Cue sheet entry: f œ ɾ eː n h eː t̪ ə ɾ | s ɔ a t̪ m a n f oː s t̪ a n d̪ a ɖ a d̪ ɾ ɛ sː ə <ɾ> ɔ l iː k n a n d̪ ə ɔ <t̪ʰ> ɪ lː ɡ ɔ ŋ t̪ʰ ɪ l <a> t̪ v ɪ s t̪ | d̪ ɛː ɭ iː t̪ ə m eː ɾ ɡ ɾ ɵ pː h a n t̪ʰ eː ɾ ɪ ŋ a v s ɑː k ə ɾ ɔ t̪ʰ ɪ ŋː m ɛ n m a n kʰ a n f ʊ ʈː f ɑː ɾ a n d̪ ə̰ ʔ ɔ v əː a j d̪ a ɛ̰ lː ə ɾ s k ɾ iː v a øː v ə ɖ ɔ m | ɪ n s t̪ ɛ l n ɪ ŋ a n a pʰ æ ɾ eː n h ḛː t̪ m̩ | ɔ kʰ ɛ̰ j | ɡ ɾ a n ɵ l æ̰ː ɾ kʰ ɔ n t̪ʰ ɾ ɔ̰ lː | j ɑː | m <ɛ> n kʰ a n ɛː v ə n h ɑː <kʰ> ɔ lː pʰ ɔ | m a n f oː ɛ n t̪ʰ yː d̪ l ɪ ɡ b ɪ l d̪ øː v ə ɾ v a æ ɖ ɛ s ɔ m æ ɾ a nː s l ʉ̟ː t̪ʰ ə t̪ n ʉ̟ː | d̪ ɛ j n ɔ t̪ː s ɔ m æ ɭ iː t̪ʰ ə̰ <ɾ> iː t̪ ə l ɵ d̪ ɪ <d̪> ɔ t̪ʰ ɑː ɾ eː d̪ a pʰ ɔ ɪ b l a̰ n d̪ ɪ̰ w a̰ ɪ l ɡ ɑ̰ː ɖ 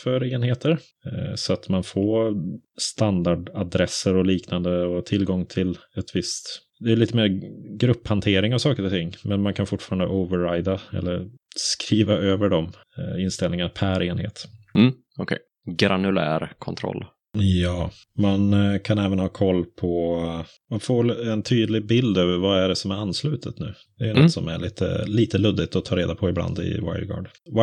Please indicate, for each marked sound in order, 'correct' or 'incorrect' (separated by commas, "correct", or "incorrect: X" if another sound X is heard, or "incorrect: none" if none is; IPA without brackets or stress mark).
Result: correct, correct, incorrect: ɛ, incorrect: a, correct, incorrect: l, incorrect: t̪